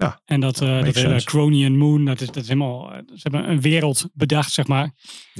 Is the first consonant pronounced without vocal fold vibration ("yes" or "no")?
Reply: no